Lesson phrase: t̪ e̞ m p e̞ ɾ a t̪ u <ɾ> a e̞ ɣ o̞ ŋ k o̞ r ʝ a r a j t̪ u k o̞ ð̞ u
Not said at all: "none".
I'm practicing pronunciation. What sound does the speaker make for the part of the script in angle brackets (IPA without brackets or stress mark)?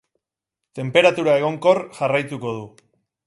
ɾ